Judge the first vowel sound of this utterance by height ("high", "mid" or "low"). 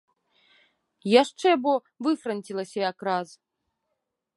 low